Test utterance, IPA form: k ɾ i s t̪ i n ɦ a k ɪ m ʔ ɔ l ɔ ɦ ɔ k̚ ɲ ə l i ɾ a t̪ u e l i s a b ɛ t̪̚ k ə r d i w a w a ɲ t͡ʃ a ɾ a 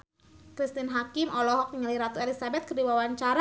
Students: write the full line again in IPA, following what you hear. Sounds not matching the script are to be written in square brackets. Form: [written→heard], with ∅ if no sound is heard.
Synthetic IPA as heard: k ɾ i s t̪ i n ɦ a k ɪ m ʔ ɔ l ɔ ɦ ɔ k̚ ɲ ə l i ɾ a t̪ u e l i s a b ɛ t̪̚ k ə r d i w a w a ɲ t͡ʃ a ɾ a